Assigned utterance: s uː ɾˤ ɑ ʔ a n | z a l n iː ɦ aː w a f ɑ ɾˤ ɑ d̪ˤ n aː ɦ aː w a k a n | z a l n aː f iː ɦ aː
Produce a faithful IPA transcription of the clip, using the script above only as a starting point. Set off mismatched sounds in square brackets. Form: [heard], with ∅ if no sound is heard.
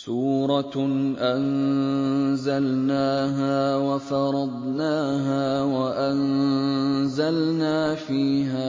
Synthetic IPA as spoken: s uː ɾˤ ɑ ʔ a n | z a l n [aː] ɦ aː w a f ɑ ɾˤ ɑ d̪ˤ n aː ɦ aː w a [ʔ] a n | z a l n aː f iː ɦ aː